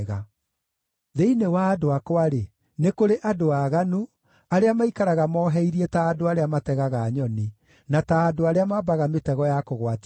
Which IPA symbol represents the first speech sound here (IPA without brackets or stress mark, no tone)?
ɣ